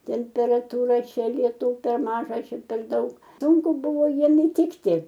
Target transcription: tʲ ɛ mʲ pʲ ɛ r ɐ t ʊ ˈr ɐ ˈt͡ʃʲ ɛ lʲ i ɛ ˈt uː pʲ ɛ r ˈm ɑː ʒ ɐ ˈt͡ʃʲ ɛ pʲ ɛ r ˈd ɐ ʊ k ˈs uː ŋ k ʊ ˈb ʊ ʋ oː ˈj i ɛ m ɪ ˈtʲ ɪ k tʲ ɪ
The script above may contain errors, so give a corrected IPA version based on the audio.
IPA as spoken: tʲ ɛ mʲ pʲ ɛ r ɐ t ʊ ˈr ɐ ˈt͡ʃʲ ɛ lʲ i ɛ ˈt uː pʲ ɛ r ˈm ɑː ʒ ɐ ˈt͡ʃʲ ɛ pʲ ɛ r ˈd ɐ ʊ k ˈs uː ŋ k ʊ ˈb ʊ ʋ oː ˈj i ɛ m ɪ ˈtʲ ɪ k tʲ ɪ

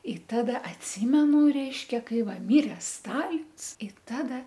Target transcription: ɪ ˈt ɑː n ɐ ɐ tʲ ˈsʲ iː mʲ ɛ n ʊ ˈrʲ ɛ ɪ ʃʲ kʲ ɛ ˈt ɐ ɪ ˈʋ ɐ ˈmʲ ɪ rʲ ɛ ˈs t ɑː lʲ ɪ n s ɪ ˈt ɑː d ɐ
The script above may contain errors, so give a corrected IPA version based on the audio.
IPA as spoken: ɪ ˈt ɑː d ɐ ɐ tʲ ˈsʲ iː mʲ ɛ n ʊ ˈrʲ ɛ ɪ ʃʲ kʲ ɛ ˈk ɐ ɪ ˈʋ ɐ ˈmʲ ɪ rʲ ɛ ˈs t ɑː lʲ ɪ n s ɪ ˈt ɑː d ɐ

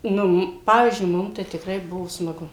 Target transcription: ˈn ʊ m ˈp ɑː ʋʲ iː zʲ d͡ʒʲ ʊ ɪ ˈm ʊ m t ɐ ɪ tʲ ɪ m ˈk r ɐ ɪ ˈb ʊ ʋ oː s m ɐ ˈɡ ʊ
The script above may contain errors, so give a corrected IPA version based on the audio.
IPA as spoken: ˈn ʊ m ˈp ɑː ʋʲ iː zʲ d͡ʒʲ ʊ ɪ ˈm ʊ m t ɐ ɪ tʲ ɪ ˈk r ɐ ɪ ˈb ʊ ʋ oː s m ɐ ˈɡ ʊ

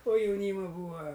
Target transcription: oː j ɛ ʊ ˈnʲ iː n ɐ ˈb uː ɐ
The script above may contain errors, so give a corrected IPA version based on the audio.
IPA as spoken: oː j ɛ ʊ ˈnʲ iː m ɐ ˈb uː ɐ

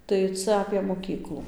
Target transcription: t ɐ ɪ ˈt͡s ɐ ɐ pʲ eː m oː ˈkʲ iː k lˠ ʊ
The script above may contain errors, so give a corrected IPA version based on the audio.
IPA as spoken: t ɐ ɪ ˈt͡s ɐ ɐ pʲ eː m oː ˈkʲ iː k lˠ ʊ

